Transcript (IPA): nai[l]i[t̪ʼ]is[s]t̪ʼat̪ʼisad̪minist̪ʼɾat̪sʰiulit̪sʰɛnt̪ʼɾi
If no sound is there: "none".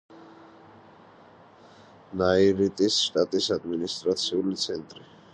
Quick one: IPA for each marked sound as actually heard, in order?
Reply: ɾ, t̪ʼ, ʃ

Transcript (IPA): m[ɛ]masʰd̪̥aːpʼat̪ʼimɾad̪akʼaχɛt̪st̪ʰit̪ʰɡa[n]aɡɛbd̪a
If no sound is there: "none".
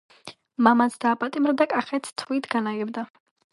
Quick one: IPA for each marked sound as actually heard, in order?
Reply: a, n

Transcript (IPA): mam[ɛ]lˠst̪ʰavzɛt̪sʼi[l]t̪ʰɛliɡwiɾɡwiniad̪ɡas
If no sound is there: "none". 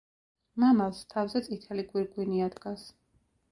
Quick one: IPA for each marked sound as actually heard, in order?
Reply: a, none

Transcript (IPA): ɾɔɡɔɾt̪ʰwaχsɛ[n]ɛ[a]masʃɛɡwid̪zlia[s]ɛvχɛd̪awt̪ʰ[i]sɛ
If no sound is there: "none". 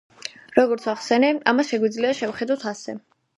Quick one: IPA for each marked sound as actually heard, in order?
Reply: n, a, ʃ, a

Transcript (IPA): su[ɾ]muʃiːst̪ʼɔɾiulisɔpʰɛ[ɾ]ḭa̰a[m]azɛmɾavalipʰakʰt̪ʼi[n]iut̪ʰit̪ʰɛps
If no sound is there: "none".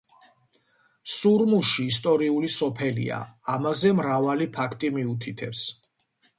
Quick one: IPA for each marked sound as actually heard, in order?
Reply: ɾ, l, m, m

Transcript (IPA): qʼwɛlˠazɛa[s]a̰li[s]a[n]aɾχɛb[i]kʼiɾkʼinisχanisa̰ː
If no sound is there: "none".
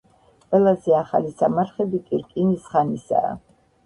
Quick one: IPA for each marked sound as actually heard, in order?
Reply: χ, s, m, i

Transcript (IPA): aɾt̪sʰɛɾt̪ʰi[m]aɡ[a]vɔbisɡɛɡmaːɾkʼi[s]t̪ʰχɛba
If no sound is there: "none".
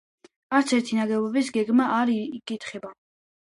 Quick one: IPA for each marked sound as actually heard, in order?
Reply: n, ɛ, none

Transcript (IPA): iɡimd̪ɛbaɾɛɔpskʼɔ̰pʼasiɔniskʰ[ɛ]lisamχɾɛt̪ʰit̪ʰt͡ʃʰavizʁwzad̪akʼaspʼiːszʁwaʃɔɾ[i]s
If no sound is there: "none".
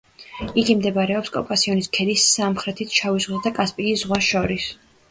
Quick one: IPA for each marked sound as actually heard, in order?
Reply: ɛ, i

